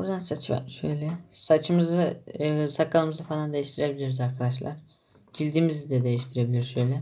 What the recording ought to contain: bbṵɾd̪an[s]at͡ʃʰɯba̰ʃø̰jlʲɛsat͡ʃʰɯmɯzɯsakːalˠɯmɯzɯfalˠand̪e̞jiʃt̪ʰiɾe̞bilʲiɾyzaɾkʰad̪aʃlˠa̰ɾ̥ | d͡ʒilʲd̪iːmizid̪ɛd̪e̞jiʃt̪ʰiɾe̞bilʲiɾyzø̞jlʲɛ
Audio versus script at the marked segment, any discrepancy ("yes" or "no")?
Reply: no